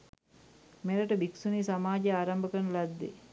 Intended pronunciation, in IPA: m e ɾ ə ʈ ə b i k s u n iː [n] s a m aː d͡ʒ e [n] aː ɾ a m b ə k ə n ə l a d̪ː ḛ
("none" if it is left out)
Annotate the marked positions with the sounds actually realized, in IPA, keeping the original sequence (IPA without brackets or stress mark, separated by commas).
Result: none, none